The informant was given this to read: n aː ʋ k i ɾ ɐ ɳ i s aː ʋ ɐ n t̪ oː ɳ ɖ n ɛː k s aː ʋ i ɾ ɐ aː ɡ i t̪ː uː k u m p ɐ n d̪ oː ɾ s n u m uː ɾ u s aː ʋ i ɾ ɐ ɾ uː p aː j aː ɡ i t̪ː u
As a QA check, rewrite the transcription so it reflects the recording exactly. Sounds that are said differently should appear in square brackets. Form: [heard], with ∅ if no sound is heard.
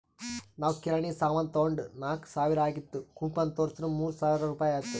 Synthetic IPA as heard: n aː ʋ k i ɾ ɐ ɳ i s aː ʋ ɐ n t̪ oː ɳ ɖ n [aː] k s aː ʋ i ɾ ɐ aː ɡ i t̪ː [u] k u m p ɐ n [t̪] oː ɾ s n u m uː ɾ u s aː ʋ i ɾ ɐ ɾ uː p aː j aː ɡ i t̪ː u

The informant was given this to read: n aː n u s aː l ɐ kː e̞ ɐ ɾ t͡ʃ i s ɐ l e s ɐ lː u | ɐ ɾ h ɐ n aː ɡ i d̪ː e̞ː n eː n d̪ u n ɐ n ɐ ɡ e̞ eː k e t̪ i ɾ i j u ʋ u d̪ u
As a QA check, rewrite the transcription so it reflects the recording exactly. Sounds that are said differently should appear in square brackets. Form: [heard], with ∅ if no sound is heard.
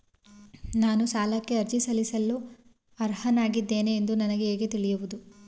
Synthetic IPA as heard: n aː n u s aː l ɐ kː e̞ ɐ ɾ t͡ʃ i s ɐ l [i] s ɐ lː u | ɐ ɾ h ɐ n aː ɡ i d̪ː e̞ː n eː n d̪ u n ɐ n ɐ ɡ e̞ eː [ɡ] e t̪ i [ɭ] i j u ʋ u d̪ u

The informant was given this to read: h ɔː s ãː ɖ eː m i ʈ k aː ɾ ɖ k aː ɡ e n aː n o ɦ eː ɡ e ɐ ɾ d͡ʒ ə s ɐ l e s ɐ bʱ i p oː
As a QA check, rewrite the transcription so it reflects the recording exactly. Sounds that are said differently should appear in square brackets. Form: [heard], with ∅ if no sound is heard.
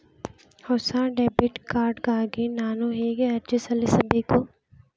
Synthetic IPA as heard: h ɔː s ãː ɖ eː [b] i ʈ k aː ɾ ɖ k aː ɡ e n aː n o ɦ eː ɡ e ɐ ɾ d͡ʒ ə s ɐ l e s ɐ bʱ i [k] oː

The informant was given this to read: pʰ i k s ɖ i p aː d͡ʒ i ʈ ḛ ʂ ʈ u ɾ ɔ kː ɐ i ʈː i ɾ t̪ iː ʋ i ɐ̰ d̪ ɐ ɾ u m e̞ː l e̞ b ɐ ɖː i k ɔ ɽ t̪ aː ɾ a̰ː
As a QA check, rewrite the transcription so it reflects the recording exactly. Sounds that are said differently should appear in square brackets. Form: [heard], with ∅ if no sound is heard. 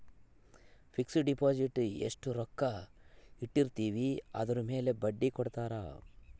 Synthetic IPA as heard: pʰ i k s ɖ i p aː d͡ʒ i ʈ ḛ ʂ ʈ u ɾ ɔ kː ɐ i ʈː i ɾ t̪ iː ʋ i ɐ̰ d̪ ɐ ɾ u m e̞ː l e̞ b ɐ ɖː i k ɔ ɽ t̪ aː ɾ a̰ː

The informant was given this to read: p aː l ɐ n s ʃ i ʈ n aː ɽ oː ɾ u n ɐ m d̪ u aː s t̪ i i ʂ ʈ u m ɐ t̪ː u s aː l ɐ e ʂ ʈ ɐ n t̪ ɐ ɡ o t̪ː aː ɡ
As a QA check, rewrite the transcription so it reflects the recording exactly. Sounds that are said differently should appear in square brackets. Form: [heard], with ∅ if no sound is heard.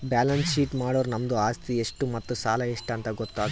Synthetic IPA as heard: [b] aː l ɐ n s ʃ [iː] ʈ [m] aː ɽ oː ɾ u n ɐ m d̪ u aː s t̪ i [e] ʂ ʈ u m ɐ t̪ː u s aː l ɐ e ʂ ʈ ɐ n t̪ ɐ ɡ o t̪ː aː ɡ

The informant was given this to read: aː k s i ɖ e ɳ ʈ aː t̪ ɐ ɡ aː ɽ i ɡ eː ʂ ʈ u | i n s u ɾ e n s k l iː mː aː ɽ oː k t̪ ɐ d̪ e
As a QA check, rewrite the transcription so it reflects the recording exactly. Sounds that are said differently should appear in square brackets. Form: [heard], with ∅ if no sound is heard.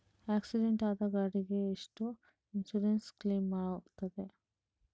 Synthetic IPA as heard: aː k s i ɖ e ɳ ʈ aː [d̪] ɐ ɡ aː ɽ i ɡ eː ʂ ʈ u | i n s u ɾ e n s k l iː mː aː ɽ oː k t̪ ɐ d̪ e

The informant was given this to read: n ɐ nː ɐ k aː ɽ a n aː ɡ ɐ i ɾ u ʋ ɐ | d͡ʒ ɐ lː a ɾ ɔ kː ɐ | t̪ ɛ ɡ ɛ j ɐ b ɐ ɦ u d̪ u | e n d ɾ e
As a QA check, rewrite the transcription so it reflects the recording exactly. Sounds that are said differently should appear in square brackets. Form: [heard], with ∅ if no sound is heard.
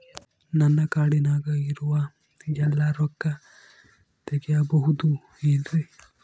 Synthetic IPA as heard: n ɐ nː ɐ k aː ɽ [i] n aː ɡ ɐ i ɾ u ʋ ɐ | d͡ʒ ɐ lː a ɾ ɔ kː ɐ | t̪ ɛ ɡ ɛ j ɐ b ɐ ɦ u d̪ u | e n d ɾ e

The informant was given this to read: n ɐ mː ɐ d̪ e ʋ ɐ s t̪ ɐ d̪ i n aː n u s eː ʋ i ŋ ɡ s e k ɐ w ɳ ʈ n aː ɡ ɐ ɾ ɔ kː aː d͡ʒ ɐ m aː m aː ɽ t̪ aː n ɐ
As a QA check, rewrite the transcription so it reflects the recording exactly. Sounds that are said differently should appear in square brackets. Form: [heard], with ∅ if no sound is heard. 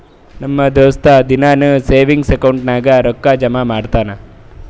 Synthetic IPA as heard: n ɐ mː ɐ d̪ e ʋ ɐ s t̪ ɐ d̪ i n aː n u s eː ʋ i ŋ ɡ s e k ɐ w ɳ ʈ n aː ɡ ɐ ɾ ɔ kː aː d͡ʒ ɐ m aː m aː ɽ t̪ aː n ɐ

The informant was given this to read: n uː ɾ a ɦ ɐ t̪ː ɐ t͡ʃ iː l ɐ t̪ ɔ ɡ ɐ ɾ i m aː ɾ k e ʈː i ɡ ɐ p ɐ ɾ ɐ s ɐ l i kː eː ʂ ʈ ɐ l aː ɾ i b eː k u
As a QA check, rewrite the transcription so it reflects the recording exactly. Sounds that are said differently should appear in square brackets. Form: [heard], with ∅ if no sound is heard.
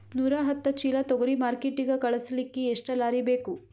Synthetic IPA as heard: n uː ɾ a ɦ ɐ t̪ː ɐ t͡ʃ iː l ɐ t̪ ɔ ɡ ɐ ɾ i m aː ɾ k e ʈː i ɡ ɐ [k] ɐ [ɭ] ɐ s ɐ l i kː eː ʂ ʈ ɐ l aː ɾ i b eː k u

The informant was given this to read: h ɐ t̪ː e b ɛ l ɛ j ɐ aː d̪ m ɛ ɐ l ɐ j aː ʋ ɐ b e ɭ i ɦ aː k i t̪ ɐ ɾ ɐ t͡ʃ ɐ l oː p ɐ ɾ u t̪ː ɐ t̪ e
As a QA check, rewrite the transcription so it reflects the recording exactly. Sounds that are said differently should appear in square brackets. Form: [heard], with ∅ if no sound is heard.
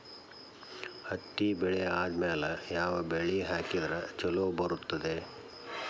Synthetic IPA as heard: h ɐ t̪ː [i] b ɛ [ɭ] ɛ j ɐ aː d̪ m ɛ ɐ l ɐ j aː ʋ ɐ b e ɭ i ɦ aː k i [d̪] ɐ ɾ ɐ t͡ʃ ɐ l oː [b] ɐ ɾ u t̪ː ɐ [d̪] e

